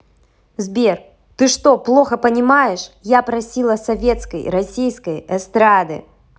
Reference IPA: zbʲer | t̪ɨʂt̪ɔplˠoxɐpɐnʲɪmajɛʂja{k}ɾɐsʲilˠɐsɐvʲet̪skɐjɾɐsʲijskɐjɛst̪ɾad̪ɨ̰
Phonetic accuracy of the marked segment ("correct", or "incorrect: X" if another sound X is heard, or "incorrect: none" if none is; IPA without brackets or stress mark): incorrect: p